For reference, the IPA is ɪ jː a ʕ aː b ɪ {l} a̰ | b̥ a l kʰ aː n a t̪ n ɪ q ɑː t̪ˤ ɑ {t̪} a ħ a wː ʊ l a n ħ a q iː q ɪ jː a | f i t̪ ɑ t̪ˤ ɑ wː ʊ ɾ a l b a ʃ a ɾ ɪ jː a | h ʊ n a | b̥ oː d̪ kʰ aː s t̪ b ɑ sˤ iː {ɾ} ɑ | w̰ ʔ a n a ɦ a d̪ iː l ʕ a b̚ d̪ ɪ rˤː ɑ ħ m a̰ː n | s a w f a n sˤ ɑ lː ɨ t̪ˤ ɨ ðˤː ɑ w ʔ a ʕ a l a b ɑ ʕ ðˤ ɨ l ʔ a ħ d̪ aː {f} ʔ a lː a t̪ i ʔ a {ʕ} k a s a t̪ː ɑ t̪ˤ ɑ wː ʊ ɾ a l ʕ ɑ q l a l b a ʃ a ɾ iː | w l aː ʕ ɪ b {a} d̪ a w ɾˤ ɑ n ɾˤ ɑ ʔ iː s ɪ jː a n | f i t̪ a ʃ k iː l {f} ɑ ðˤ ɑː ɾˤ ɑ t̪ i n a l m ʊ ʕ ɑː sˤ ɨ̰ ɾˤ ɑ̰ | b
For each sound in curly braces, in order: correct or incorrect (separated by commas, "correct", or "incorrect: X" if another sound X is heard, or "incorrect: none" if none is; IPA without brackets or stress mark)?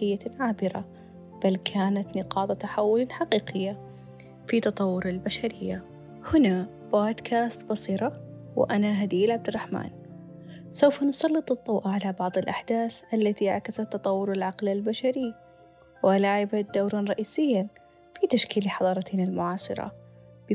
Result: incorrect: ɾ, correct, correct, incorrect: θ, correct, correct, incorrect: ħ